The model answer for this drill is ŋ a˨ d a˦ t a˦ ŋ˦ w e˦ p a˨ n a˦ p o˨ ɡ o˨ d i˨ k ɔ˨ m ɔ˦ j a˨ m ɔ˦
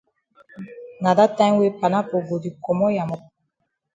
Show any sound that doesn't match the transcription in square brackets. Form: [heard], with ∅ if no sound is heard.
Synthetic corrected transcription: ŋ a˨ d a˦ t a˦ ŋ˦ w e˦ p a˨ n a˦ p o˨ ɡ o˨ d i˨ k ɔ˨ m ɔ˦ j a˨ m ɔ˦

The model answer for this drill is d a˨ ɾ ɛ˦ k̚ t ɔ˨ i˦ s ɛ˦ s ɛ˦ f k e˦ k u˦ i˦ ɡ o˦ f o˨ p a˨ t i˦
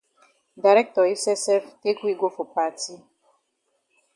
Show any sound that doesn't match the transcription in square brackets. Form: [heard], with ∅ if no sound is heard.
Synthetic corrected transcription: d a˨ ɾ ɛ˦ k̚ t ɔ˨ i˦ s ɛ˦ s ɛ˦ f [t] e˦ k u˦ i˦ ɡ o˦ f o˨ p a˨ t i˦

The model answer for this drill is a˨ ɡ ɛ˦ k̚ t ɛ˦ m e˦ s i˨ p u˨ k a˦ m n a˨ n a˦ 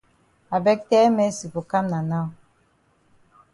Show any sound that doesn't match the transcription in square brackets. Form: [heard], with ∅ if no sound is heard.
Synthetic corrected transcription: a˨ [b] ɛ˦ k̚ t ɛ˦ m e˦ s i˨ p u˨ k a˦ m n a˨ n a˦

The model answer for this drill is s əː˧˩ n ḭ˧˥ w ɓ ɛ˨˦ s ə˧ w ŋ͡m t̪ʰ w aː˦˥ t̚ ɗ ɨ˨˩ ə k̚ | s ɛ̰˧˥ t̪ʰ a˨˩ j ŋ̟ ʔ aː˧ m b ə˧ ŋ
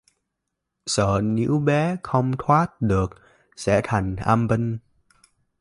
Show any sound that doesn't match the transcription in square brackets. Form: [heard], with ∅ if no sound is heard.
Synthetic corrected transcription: s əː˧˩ n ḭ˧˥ w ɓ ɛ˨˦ [x] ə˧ w ŋ͡m t̪ʰ w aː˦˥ t̚ ɗ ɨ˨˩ ə k̚ | s ɛ̰˧˥ t̪ʰ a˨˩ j ŋ̟ ʔ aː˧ m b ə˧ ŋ

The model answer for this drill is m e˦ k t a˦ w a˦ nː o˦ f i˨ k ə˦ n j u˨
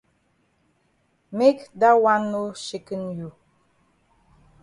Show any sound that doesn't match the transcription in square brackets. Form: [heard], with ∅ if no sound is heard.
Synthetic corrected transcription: m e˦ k [d] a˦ w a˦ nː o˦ [ʃ] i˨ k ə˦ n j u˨

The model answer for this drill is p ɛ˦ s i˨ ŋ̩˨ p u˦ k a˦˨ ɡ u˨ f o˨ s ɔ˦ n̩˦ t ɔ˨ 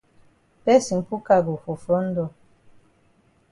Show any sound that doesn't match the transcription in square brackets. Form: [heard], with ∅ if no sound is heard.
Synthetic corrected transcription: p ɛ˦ s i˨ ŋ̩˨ p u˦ k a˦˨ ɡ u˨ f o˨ [f] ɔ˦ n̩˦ [d] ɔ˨

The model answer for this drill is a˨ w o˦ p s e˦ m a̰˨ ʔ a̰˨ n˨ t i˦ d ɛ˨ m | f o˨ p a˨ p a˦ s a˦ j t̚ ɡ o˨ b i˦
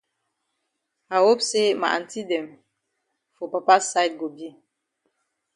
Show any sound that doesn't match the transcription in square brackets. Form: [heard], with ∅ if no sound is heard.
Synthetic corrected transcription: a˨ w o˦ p s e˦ m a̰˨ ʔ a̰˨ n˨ t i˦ d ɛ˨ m | f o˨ p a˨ p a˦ s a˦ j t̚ ɡ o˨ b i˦

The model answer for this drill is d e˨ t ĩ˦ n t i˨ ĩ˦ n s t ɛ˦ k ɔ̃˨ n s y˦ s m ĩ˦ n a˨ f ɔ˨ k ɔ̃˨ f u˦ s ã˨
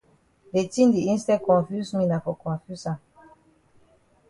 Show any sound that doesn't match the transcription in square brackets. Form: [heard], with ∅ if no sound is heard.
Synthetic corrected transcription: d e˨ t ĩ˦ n [d] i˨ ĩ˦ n s t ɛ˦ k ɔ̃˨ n [f] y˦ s m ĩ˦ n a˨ f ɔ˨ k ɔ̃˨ f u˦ s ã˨

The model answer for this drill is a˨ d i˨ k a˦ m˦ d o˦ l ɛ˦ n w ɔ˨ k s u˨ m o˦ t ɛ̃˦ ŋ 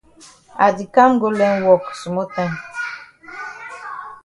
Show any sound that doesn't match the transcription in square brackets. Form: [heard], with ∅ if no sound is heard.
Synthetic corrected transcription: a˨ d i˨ k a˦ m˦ [ɡ] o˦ l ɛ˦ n w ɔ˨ k s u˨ m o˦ t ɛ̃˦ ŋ

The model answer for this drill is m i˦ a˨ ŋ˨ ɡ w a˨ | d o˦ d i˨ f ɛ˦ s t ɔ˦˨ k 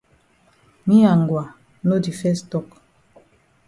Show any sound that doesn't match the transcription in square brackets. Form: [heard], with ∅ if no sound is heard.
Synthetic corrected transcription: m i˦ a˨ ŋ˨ ɡ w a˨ | [n] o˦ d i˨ f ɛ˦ s t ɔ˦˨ k

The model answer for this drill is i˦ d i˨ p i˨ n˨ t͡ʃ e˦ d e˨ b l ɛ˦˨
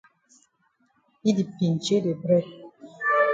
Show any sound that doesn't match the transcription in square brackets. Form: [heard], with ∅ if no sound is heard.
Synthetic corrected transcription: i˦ d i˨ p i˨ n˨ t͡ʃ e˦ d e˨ b [ɾ] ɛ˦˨

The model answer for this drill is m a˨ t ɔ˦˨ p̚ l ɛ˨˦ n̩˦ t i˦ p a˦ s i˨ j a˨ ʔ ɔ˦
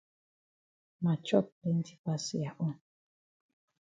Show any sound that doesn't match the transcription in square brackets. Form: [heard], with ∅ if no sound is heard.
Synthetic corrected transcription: m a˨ [t͡ʃ] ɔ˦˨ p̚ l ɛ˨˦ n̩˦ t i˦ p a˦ s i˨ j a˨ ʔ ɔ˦

